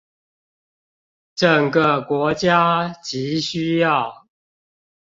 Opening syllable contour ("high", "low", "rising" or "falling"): low